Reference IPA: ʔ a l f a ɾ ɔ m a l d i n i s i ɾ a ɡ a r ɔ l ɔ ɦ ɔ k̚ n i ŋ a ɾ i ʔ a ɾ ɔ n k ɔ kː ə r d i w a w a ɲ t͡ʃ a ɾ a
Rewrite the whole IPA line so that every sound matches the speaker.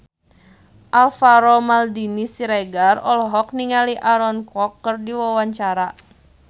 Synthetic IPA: ʔ a l f a ɾ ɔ m a l d i n i s i ɾ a ɡ a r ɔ l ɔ ɦ ɔ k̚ n i ŋ a l i ʔ a ɾ ɔ n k ɔ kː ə r d i w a w a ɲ t͡ʃ a ɾ a